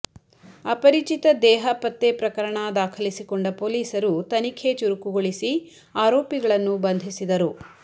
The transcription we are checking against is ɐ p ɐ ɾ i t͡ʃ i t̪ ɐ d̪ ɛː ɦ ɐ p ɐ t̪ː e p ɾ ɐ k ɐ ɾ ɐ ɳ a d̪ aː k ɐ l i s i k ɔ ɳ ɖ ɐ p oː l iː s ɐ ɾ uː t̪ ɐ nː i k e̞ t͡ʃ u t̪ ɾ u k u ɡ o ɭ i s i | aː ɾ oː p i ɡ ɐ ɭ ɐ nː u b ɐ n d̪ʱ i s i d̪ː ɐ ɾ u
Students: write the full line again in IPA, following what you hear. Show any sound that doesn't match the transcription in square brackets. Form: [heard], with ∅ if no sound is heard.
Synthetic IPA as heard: ɐ p ɐ ɾ i t͡ʃ i t̪ ɐ d̪ ɛː ɦ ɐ p ɐ t̪ː e p ɾ ɐ k ɐ ɾ ɐ ɳ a d̪ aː [kʰ] ɐ l i s i k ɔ ɳ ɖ ɐ p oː l iː s ɐ ɾ [u] t̪ ɐ [n] i [kʰ] e̞ t͡ʃ u [∅] ɾ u k u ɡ o ɭ i s i | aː ɾ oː p i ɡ ɐ ɭ ɐ nː u b ɐ n d̪ʱ i s i [d̪] ɐ ɾ u